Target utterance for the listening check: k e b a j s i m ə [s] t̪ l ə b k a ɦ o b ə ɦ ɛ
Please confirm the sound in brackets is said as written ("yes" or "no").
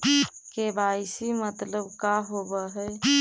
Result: no